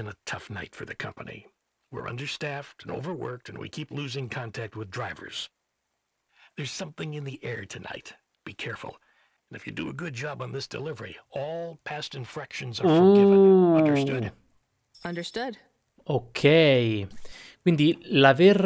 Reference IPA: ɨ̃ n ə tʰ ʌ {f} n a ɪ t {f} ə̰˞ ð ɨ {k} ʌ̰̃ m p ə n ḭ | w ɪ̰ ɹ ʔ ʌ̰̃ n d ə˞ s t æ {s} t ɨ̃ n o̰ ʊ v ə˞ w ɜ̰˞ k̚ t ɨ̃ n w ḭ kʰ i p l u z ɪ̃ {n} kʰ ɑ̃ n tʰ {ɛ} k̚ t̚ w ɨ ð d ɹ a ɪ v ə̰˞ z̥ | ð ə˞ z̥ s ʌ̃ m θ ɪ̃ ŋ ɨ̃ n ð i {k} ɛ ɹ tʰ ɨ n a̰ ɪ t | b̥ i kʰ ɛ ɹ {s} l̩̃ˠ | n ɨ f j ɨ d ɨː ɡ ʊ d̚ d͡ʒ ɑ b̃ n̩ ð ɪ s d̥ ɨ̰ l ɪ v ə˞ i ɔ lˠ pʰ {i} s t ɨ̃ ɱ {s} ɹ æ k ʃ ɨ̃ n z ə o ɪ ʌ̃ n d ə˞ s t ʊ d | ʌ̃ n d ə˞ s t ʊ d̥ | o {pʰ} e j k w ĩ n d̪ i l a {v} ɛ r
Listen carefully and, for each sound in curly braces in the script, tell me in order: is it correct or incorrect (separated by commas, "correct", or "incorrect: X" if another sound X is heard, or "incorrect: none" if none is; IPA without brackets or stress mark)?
correct, correct, incorrect: kʰ, incorrect: f, incorrect: ŋ, incorrect: æ, incorrect: ʔ, incorrect: f, incorrect: æ, incorrect: f, incorrect: kʰ, correct